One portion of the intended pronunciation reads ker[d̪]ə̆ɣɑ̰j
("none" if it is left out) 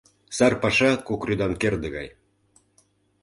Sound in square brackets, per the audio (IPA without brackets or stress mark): d̪